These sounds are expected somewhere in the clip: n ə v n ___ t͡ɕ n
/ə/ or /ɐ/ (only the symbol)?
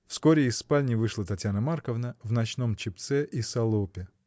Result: ɐ